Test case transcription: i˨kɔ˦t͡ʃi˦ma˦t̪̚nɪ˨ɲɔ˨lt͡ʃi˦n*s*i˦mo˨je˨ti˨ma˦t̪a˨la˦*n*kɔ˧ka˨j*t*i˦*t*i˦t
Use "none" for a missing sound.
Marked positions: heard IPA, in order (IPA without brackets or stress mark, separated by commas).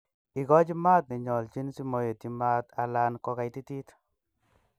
s, n, t, t